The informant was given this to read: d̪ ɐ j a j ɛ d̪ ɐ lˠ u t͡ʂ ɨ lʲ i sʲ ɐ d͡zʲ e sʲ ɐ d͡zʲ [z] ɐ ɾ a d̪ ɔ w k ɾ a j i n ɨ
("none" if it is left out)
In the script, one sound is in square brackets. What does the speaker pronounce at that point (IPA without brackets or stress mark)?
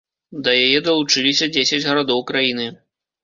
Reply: ɣ